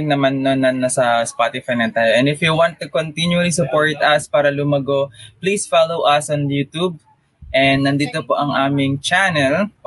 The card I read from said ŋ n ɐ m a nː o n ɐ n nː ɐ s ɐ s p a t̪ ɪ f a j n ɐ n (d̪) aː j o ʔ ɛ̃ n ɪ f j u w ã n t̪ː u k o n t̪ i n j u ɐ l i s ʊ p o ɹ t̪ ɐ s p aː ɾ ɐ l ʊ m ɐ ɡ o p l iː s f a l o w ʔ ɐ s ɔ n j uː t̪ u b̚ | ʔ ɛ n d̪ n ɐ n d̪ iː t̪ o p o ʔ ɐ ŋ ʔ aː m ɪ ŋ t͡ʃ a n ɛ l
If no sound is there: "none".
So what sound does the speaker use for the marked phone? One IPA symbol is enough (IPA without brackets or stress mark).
t̪